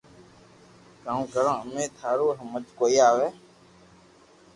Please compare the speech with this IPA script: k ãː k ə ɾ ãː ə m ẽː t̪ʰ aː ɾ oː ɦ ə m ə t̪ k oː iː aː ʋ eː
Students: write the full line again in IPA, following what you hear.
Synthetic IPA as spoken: k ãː k ə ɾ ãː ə m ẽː t̪ʰ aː ɾ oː ɦ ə m ə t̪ k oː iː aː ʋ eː